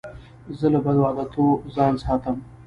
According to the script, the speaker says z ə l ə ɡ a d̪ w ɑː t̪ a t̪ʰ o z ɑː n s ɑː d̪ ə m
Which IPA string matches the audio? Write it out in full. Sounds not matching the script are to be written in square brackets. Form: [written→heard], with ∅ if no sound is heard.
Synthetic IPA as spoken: z ə l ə [ɡ→b] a d̪ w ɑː [t̪→d̪] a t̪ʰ o z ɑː n s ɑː [d̪→t̪] ə m